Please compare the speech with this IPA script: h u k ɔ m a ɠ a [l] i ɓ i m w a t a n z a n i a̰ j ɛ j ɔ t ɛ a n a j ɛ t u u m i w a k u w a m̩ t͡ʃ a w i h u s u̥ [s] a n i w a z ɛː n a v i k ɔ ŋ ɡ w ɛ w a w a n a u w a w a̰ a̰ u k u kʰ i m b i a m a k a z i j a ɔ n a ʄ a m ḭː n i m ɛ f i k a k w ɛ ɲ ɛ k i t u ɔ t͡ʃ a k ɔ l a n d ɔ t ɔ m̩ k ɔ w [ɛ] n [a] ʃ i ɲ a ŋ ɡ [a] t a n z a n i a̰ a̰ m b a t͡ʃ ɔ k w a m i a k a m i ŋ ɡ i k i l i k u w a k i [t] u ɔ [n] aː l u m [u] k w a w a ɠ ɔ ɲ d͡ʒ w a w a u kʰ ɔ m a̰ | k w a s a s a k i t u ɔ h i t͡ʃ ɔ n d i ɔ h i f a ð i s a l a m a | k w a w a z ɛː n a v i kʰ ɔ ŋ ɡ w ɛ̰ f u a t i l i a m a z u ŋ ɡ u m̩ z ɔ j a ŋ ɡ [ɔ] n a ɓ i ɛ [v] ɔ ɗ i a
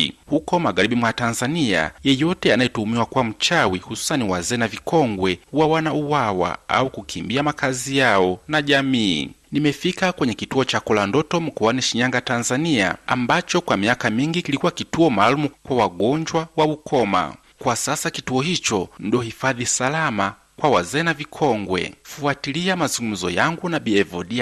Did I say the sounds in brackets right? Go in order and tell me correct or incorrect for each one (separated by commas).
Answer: incorrect, correct, incorrect, incorrect, correct, correct, incorrect, correct, incorrect, correct